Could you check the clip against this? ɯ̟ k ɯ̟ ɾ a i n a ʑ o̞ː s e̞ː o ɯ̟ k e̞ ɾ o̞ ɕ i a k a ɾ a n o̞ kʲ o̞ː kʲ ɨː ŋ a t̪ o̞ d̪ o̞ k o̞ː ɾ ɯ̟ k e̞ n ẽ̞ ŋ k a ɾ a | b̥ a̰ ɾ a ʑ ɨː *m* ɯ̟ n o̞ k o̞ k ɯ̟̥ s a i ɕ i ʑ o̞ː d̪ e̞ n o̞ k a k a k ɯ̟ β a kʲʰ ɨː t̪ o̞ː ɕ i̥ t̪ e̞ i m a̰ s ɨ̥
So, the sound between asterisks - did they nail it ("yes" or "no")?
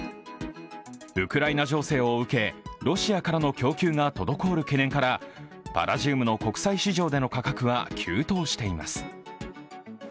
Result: yes